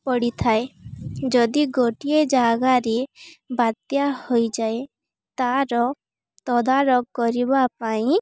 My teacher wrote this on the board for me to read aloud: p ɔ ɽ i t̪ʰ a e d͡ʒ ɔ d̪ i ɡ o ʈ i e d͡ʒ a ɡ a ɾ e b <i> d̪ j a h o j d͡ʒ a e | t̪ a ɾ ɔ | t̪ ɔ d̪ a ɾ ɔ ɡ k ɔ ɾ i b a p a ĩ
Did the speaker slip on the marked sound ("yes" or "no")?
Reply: yes